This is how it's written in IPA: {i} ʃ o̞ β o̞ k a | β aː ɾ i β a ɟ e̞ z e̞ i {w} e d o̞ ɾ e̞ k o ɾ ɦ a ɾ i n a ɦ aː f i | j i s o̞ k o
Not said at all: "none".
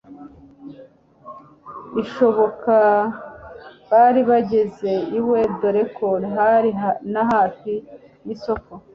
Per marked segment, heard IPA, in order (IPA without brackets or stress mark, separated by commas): i, w